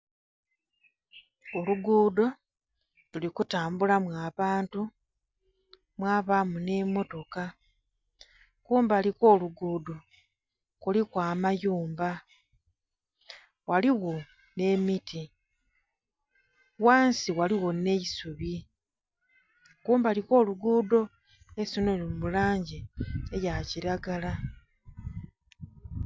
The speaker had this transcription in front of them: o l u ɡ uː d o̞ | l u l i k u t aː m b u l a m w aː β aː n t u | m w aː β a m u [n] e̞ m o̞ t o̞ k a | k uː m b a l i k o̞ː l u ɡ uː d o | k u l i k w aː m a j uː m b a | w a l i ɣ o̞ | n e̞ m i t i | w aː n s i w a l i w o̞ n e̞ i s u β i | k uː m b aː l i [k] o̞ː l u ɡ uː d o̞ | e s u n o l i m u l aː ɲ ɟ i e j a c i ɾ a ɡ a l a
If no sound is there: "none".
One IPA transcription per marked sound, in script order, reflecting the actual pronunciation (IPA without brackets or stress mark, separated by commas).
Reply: n, k